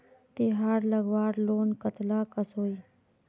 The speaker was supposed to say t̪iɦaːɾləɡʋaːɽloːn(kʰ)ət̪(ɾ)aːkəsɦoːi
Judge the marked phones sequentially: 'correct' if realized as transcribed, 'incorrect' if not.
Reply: incorrect: k, incorrect: l

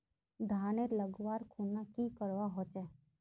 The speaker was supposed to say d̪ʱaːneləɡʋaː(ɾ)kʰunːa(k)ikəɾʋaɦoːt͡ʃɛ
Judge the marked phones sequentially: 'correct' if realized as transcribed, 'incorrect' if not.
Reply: correct, correct

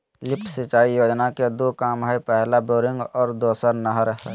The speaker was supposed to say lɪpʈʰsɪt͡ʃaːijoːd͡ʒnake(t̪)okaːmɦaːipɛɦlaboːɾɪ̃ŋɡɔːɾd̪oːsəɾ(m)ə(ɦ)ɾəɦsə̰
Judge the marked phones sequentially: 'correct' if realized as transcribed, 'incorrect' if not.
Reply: incorrect: d̪, incorrect: n, correct

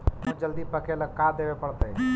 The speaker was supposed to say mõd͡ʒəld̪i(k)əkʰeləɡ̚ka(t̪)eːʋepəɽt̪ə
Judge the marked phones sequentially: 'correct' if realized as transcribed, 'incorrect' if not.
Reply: incorrect: p, incorrect: d̪

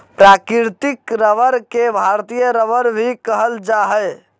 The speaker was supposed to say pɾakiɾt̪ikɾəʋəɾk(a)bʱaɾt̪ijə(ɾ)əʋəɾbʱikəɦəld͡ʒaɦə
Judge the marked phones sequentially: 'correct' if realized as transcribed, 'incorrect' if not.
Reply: incorrect: e, correct

